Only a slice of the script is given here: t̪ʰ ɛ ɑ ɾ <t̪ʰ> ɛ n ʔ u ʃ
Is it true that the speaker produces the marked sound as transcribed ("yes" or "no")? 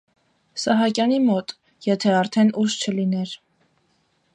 yes